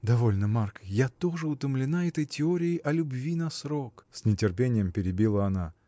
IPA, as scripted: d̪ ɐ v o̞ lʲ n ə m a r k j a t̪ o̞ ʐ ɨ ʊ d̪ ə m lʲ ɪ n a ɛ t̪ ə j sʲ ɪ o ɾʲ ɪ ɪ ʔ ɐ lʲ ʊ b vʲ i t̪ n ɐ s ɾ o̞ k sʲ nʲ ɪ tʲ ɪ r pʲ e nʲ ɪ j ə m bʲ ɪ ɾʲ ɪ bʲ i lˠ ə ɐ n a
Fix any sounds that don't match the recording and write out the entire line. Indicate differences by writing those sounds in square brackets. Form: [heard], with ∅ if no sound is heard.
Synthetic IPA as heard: d̪ ɐ v o̞ lʲ n ə m a r k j a t̪ o̞ ʐ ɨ ʊ [t̪] ə m lʲ ɪ n a ɛ t̪ ə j [tʲ] ɪ o ɾʲ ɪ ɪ ʔ ɐ lʲ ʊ b vʲ i [∅] n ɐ s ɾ o̞ k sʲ nʲ ɪ tʲ ɪ r pʲ e nʲ ɪ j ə m [pʲ] ɪ ɾʲ ɪ bʲ i lˠ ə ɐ n a